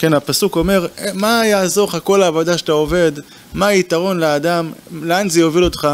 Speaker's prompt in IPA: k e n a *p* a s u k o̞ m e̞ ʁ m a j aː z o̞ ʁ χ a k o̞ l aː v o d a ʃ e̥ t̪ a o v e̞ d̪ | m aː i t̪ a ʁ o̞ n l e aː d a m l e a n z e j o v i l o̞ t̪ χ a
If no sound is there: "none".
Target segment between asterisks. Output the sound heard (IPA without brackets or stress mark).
p